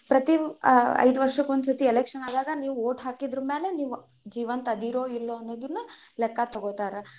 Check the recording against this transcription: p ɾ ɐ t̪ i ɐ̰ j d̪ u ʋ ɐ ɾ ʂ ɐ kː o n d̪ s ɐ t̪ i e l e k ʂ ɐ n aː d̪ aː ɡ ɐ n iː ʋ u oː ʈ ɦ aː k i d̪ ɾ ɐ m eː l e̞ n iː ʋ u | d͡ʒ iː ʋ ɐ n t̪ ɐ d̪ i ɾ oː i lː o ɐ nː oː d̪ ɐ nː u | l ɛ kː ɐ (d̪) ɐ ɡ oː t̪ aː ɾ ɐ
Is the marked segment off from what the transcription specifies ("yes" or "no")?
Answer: yes